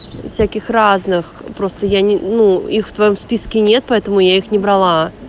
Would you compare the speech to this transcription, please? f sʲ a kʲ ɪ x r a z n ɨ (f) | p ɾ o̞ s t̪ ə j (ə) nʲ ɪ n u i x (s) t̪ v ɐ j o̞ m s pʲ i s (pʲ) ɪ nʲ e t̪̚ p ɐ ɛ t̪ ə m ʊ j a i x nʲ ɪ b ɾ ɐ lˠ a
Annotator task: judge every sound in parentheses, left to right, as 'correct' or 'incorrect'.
incorrect: x, incorrect: a, incorrect: f, incorrect: kʲ

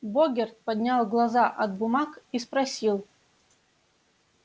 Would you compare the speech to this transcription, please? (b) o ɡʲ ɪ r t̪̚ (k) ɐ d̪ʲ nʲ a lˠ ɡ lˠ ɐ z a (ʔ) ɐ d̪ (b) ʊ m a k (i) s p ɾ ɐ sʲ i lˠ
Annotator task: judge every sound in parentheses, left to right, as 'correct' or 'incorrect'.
correct, incorrect: p, correct, correct, correct

